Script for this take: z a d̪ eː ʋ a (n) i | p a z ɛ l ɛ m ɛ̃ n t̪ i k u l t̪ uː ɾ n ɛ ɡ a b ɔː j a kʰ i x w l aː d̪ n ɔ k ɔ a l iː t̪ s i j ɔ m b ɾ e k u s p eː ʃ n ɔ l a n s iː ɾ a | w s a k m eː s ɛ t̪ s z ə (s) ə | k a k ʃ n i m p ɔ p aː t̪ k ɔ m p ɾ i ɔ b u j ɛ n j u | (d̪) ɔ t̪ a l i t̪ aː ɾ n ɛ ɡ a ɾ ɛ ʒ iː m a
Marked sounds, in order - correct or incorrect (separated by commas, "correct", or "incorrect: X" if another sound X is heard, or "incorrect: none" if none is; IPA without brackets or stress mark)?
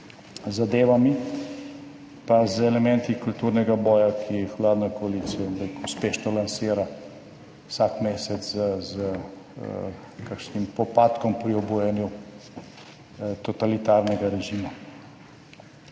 incorrect: m, incorrect: z, incorrect: t̪